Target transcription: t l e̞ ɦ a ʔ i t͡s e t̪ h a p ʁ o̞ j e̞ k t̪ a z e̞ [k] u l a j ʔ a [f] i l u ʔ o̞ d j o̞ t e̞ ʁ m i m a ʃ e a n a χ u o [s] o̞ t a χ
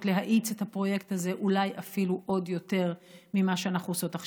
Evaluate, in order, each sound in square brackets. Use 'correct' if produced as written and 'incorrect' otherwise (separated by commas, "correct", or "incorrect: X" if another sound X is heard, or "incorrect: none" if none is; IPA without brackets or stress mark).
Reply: incorrect: ʔ, correct, correct